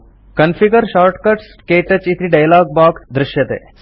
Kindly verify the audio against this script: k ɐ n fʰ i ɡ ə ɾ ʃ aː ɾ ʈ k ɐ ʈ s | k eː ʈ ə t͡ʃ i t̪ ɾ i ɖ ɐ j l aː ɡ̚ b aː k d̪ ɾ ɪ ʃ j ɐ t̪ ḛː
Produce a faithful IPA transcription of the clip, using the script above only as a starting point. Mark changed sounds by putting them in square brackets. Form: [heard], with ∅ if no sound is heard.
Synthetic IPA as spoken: k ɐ n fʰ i ɡ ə ɾ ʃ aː ɾ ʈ k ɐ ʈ s | k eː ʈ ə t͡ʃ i t̪ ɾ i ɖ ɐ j l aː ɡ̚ b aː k d̪ ɾ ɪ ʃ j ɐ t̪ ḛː